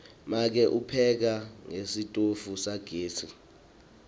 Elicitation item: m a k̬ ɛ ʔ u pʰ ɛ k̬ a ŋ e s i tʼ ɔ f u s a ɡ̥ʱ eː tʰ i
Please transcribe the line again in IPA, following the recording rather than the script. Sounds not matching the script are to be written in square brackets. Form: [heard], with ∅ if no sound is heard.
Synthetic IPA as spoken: m a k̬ ɛ ʔ u pʰ ɛ k̬ a ŋ e s i tʼ [o] f u s a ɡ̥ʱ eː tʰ i